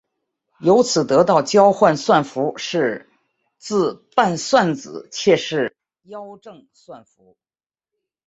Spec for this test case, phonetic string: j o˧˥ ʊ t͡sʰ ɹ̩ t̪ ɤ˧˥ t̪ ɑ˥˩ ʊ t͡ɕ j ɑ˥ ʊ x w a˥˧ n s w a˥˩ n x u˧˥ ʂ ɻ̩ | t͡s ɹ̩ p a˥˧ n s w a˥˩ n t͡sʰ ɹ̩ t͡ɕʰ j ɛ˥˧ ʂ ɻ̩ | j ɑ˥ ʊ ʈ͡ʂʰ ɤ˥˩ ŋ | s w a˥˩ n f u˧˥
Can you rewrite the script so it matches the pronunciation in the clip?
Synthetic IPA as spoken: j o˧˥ ʊ t͡sʰ ɹ̩ t̪ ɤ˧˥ t̪ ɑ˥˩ ʊ t͡ɕ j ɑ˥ ʊ x w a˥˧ n s w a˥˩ n f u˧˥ ʂ ɻ̩ | t͡s ɹ̩ p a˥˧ n s w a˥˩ n t͡s ɹ̩ t͡ɕʰ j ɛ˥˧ ʂ ɻ̩ | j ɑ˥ ʊ ʈ͡ʂ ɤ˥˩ ŋ | s w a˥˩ n f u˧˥